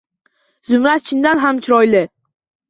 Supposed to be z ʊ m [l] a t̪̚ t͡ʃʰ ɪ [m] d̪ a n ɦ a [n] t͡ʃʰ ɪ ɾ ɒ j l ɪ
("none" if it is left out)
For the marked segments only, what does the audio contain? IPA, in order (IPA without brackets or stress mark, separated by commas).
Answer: ɾ, n, m